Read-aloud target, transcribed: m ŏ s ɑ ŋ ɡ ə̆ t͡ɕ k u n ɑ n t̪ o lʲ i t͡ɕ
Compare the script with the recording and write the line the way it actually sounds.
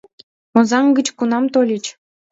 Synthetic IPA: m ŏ z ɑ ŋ ɡ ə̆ t͡ɕ k u n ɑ m t̪ o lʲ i t͡ɕ